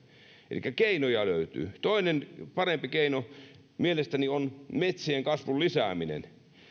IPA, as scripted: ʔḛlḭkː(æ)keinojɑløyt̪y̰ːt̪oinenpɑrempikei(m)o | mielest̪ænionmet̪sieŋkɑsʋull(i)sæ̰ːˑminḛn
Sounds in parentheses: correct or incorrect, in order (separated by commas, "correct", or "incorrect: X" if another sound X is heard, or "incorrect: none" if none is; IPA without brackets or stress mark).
correct, incorrect: n, correct